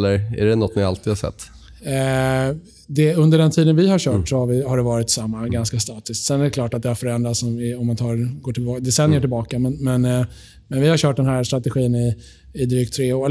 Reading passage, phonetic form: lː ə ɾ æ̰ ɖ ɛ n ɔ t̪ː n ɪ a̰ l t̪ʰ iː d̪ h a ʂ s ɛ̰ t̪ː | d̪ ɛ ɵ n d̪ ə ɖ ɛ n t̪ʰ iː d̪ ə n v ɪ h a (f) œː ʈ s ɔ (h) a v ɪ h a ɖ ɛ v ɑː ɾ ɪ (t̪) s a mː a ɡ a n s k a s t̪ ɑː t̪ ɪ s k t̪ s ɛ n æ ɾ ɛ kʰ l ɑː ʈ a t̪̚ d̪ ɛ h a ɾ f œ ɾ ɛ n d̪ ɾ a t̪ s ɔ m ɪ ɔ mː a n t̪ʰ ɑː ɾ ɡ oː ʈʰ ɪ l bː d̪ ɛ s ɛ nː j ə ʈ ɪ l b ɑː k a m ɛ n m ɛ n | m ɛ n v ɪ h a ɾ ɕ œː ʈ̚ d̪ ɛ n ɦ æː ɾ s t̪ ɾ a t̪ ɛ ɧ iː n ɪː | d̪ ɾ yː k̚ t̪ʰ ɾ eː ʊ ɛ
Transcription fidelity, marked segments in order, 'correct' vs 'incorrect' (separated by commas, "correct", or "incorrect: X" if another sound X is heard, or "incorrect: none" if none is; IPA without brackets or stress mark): incorrect: ɕ, correct, correct